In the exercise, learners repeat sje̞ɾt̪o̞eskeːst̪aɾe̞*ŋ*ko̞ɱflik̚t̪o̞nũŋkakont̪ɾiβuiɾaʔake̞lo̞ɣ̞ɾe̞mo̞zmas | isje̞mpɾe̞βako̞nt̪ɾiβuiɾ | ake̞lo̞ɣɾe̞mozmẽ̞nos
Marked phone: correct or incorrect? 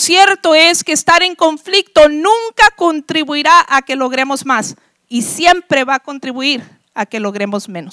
correct